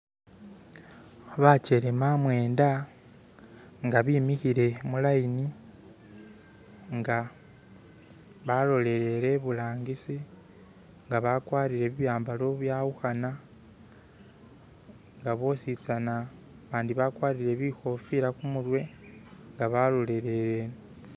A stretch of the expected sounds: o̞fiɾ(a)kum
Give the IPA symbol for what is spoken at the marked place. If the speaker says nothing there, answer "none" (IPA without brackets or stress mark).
a